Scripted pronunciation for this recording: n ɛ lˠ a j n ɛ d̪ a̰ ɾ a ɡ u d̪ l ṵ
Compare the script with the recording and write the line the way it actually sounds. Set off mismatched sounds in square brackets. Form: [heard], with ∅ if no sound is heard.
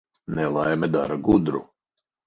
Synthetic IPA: n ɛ lˠ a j [m] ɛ d̪ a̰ ɾ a ɡ u d̪ [ɾ] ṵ